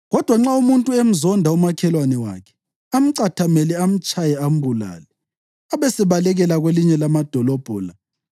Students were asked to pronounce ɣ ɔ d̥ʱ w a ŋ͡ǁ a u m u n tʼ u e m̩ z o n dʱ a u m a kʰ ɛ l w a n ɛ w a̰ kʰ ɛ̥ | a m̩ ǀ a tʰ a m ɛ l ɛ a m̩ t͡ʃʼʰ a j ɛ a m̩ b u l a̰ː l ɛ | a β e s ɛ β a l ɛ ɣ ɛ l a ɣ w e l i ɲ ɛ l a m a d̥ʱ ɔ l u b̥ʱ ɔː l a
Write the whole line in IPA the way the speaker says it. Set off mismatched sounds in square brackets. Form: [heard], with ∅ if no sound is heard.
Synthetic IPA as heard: ɣ ɔ d̥ʱ w a ŋ͡ǁ a u m u n tʼ u e m̩ z [ɔ] n dʱ a u m a kʰ ɛ l w a n ɛ w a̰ kʰ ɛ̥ | a m̩ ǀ a tʰ a m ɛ l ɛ a m̩ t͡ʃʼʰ a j ɛ a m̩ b u l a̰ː l ɛ | a β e s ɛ β a l ɛ ɣ ɛ l a ɣ w e l i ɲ ɛ l a m a d̥ʱ ɔ l [ɔ] b̥ʱ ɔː l a